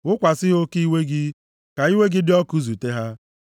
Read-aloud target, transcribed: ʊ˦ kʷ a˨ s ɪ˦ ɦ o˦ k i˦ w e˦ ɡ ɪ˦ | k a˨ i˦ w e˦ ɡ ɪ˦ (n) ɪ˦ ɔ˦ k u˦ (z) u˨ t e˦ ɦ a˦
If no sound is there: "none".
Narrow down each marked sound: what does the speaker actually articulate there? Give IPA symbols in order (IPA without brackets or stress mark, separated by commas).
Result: d, z